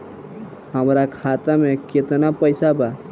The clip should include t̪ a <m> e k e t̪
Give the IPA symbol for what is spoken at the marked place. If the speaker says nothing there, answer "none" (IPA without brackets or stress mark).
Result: m